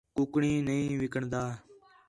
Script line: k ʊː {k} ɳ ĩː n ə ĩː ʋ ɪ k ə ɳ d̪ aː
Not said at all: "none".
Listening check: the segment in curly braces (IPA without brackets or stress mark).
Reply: k